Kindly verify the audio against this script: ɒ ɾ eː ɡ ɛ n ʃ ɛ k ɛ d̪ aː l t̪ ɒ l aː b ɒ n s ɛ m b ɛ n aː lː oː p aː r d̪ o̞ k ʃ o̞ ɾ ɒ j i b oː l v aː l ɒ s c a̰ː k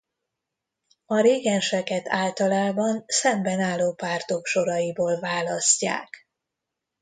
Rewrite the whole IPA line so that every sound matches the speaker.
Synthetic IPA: ɒ ɾ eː ɡ ɛ n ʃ ɛ k ɛ t̪ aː l t̪ ɒ l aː b ɒ n s ɛ m b ɛ n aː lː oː p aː r t̪ o̞ k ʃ o̞ ɾ ɒ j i b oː l v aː l ɒ s c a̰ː k

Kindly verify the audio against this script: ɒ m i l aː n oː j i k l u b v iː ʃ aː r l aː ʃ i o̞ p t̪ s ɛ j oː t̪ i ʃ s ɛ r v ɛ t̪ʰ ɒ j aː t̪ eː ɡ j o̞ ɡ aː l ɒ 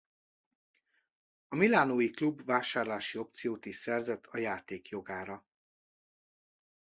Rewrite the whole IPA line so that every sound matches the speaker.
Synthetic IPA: ɒ m i l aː n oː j i k l u b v aː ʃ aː r l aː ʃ i o̞ p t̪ s i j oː t̪ i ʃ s ɛ r z ɛ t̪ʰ ɒ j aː t̪ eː k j o̞ ɡ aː ɾ ɒ

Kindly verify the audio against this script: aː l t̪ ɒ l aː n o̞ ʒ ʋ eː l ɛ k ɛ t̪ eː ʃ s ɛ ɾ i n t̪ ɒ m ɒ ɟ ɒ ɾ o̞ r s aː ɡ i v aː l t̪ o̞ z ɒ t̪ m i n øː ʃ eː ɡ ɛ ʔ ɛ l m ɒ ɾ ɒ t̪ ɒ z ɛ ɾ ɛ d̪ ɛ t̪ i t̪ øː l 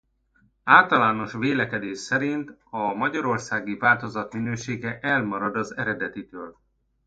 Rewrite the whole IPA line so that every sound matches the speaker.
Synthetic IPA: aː l t̪ ɒ l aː n o̞ ʃ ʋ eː l ɛ k ɛ d̪ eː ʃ s ɛ ɾ i n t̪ ɒ m ɒ ɟ ɒ ɾ o̞ r s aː ɡ i v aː l t̪ o̞ z ɒ t̪ m i n øː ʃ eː ɡ ɛ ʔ ɛ l m ɒ ɾ ɒ d̪ ɒ z ɛ ɾ ɛ d̪ ɛ t̪ i t̪ øː l

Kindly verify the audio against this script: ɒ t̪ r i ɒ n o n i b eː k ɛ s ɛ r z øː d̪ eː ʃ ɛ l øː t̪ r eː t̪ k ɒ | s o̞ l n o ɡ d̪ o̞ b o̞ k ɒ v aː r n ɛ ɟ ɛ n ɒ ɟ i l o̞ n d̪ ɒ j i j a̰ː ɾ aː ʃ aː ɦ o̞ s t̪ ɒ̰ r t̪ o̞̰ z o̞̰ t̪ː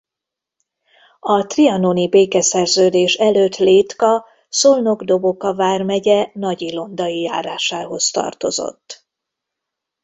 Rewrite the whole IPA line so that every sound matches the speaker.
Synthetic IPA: ɒ t̪ r i ɒ n o n i b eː k ɛ s ɛ r z øː d̪ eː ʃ ɛ l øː t̪ l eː t̪ k ɒ | s o̞ l n o ɡ d̪ o̞ b o̞ k ɒ v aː r m ɛ ɟ ɛ n ɒ ɟ i l o̞ n d̪ ɒ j i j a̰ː ɾ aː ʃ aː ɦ o̞ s t̪ ɒ̰ r t̪ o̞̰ z o̞̰ t̪ː

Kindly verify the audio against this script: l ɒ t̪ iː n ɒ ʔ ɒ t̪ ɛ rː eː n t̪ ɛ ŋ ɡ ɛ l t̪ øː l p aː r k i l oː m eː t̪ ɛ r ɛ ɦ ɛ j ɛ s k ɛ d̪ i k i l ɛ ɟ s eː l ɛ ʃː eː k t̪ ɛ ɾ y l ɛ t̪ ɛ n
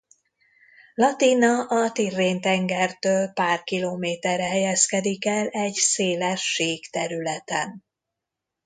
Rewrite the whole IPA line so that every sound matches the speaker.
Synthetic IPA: l ɒ t̪ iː n ɒ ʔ ɒ t̪ i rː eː n t̪ ɛ ŋ ɡ ɛ r t̪ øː l p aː r k i l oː m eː t̪ ɛ r ɛ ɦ ɛ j ɛ s k ɛ d̪ i k ɛ l ɛ ɟ s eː l ɛ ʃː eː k t̪ ɛ ɾ y l ɛ t̪ ɛ n

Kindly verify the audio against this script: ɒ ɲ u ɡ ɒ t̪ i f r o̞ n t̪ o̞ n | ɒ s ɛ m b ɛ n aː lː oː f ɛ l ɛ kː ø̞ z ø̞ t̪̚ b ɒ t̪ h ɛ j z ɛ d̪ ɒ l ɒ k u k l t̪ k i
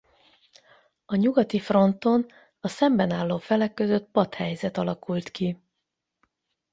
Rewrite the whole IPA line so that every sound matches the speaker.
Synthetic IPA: ɒ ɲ u ɡ ɒ t̪ i f r o̞ n t̪ o̞ n | ɒ s ɛ m b ɛ n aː lː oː f ɛ l ɛ kː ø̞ z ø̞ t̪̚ p ɒ t̪ h ɛ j z ɛ t̪ ɒ l ɒ k u l t̪ k i

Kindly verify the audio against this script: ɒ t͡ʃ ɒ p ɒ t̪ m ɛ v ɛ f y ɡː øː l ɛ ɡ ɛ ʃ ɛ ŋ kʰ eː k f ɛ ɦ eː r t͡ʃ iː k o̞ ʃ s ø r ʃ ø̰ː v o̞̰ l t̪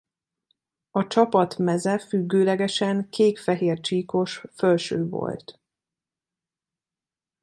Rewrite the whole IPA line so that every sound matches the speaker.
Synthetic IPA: ɒ t͡ʃ ɒ p ɒ t̪ m ɛ z ɛ f y ɡː øː l ɛ ɡ ɛ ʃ ɛ ŋ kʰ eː k f ɛ ɦ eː r t͡ʃ iː k o̞ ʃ f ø l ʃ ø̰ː v o̞̰ l t̪

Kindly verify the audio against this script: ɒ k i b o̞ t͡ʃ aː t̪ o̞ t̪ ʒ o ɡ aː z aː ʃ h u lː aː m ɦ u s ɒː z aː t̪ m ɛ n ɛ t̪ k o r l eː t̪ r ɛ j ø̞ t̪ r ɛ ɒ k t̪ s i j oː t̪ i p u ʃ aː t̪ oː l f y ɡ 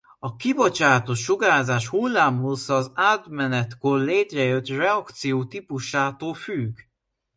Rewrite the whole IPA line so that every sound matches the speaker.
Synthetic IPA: ɒ k i b o̞ t͡ʃ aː t̪ o̞ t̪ ʃ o ɡ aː z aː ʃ h u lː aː m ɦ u s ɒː z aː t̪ m ɛ n ɛ t̪ k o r l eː t̪ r ɛ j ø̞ t̪ r ɛ ɒ k t̪ s i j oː t̪ i p u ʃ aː t̪ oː l f y ɡ

